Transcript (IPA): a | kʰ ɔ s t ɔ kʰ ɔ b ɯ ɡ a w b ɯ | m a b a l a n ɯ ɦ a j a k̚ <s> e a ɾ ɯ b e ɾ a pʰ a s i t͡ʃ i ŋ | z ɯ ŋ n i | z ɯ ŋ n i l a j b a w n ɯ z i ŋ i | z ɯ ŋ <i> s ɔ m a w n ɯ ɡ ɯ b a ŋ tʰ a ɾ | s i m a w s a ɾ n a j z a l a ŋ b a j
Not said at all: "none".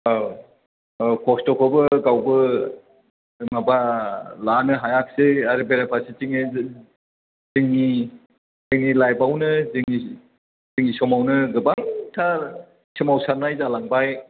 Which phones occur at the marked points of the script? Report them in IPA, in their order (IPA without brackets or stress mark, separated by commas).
s, i